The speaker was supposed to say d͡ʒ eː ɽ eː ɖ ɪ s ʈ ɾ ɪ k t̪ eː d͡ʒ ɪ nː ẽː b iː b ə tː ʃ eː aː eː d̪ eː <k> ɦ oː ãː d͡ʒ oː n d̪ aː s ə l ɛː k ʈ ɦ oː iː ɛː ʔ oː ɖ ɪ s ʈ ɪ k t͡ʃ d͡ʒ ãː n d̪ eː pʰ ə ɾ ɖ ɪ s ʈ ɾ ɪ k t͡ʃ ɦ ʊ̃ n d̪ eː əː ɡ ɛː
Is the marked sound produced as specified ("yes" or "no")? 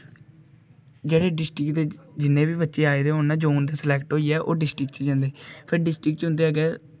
no